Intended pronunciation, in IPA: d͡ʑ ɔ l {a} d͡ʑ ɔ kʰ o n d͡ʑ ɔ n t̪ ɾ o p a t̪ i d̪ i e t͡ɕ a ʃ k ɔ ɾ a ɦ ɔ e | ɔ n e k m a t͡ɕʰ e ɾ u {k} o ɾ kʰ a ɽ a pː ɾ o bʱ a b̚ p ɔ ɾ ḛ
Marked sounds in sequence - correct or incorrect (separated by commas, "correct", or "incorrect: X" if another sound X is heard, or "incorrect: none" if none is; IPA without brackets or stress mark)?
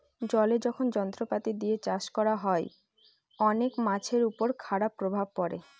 incorrect: e, incorrect: p